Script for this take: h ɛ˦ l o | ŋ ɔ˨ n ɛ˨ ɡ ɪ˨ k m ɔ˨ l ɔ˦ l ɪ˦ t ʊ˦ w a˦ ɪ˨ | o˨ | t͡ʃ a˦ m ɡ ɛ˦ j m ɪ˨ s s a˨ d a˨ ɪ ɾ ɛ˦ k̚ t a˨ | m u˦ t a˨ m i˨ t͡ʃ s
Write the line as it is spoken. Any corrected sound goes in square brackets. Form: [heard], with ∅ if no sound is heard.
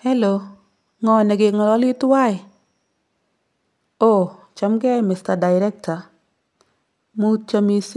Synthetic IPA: h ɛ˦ l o | ŋ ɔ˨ n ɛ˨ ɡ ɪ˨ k [ŋ] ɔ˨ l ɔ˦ l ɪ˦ t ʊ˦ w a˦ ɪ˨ | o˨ | t͡ʃ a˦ m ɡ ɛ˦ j m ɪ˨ s [t] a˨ d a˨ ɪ ɾ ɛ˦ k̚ t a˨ | m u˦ [t͡ʃ] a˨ m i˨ [∅] s

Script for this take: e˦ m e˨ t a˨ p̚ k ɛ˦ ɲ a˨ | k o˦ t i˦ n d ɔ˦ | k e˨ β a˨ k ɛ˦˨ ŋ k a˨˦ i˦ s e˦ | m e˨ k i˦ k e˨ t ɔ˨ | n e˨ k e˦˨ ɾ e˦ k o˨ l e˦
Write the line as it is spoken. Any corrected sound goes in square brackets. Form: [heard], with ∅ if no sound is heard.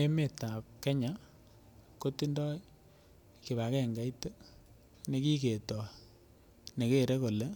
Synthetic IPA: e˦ m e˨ t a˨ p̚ k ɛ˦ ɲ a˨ | k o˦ t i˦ n d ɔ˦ | k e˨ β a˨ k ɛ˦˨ ŋ [ɡ] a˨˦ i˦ [t] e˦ | [n] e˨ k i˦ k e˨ t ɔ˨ | n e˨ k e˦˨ ɾ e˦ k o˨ l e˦

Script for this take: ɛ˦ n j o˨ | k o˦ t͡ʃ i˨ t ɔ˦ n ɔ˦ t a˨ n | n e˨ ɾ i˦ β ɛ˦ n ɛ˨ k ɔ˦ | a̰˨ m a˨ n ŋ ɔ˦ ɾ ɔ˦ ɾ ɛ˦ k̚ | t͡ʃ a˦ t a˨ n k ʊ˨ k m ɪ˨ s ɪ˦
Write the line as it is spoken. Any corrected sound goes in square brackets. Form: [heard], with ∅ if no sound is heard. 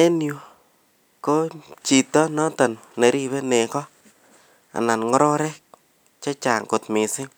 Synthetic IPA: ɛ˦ n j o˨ | k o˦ t͡ʃ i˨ t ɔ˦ n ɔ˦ t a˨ n | n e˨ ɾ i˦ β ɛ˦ n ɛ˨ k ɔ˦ | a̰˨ [n] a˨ n ŋ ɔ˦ ɾ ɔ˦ ɾ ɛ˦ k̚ | t͡ʃ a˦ [t͡ʃ] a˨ [ŋ] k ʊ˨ [t] m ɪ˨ s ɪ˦

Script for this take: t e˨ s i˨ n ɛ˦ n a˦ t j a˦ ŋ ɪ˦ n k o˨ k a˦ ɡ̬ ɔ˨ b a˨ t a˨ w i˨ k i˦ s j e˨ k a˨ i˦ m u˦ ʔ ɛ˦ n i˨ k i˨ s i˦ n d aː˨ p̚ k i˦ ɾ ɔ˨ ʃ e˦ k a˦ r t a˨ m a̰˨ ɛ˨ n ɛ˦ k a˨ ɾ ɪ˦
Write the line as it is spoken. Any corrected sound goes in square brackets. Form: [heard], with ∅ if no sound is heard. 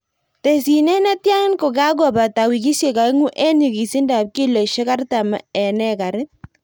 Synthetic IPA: t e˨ s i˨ n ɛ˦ n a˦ t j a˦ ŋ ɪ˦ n k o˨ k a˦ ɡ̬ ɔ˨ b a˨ t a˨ w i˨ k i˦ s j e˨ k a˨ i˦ [ŋ] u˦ ʔ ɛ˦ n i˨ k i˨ s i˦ n d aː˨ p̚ k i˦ [l] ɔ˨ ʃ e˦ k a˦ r t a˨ m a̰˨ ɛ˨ n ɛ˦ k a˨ ɾ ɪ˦

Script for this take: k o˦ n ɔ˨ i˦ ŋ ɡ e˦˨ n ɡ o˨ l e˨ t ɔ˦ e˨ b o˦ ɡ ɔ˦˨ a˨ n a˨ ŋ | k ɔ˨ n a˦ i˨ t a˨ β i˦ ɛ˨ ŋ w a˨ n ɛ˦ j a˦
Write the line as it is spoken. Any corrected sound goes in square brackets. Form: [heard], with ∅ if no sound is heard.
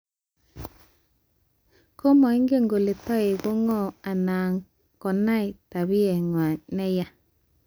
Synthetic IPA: k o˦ [m] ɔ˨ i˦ ŋ ɡ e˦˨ [ŋ] ɡ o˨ l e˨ t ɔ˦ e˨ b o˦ [ŋ] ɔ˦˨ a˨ n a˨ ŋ | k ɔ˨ n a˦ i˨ t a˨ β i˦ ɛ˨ ŋ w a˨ n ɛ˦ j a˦

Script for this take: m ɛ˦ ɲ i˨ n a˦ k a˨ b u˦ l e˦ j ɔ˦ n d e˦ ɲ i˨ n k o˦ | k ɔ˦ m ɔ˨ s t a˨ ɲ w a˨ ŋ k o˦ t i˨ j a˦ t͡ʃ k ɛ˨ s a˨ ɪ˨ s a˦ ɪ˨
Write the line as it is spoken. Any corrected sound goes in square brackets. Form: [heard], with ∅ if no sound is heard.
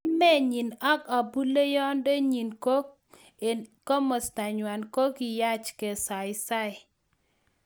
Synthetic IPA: m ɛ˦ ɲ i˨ n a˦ k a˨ b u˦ l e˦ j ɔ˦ n d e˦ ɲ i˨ n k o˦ | k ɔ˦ m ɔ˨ s t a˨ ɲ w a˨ [n] k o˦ [k] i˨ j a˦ t͡ʃ k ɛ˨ s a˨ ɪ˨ s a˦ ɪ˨

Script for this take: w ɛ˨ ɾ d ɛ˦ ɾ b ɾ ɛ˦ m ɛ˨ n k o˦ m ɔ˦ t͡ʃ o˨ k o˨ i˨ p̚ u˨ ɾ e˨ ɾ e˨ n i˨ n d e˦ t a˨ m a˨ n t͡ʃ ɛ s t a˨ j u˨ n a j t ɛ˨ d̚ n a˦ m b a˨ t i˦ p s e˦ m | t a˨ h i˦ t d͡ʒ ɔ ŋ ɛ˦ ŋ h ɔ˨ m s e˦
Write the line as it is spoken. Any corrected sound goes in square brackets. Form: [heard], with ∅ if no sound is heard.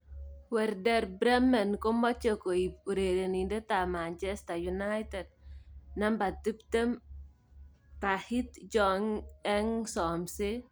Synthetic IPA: w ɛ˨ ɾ d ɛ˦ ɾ b ɾ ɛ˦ m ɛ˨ n k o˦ m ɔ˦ t͡ʃ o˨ k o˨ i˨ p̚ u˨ ɾ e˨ ɾ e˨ n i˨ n d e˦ t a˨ m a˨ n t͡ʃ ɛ s t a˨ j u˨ n a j t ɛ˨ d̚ n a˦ m b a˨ t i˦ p [t] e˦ m | t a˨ h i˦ t d͡ʒ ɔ ŋ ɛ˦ ŋ [s] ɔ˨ m s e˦

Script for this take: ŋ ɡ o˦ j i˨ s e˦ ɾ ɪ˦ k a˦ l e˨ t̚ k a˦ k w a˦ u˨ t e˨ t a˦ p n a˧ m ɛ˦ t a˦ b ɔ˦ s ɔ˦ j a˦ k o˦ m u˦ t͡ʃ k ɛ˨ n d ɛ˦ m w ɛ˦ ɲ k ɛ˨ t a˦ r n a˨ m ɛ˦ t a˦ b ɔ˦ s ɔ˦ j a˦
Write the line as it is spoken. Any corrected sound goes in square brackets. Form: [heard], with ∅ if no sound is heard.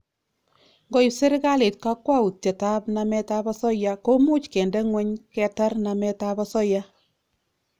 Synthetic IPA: ŋ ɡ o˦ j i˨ s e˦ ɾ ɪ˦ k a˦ l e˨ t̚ k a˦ k w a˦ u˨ t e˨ t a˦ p n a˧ m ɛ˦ t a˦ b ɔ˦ s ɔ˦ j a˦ k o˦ m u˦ t͡ʃ k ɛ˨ n d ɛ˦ [ŋ] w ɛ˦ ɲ k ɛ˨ t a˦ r n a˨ m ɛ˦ t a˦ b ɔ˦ s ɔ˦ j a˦

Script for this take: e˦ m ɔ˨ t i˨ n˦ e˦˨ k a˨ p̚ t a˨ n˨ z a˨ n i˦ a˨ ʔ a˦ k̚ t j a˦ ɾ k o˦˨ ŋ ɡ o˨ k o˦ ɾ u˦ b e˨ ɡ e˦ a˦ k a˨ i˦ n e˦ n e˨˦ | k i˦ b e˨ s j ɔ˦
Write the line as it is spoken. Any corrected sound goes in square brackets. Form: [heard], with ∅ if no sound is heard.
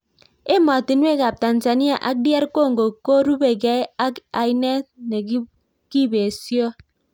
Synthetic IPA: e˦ m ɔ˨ t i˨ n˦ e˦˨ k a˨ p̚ t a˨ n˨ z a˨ n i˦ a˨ ʔ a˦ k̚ [d] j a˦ ɾ k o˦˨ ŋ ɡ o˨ k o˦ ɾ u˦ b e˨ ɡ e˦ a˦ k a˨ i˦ n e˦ n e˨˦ | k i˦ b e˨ s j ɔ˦

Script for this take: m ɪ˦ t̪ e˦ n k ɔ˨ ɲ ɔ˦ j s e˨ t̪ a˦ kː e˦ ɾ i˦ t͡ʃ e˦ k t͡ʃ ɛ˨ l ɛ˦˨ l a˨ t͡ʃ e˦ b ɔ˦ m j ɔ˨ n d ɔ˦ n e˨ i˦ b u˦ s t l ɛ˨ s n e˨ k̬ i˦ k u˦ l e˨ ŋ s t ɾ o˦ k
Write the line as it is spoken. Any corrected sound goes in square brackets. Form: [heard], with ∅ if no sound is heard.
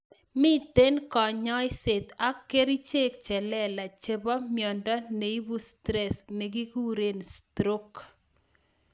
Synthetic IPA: m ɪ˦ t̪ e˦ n k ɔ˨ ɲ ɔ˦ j s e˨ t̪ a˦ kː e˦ ɾ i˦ t͡ʃ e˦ k t͡ʃ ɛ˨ l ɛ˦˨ l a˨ t͡ʃ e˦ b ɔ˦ m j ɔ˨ n d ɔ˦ n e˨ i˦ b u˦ s t [ɾ] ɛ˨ s n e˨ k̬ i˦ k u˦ [ɾ] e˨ [n] s t ɾ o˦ k

